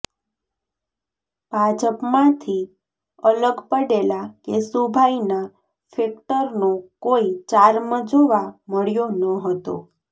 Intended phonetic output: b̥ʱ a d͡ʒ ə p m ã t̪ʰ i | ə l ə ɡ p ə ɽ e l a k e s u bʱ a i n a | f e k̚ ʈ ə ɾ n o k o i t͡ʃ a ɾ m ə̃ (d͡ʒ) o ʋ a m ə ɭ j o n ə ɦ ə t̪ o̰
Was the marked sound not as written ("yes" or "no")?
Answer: no